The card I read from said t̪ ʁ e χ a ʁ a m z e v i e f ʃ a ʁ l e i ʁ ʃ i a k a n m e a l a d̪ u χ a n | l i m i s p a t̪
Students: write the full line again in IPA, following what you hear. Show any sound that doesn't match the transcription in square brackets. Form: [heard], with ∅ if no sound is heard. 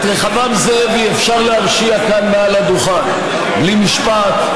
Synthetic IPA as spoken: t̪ ʁ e χ a [v] a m z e v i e f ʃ a ʁ l e [a] ʁ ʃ i a k a n m e a l a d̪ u χ a n | l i m i [ʃ] p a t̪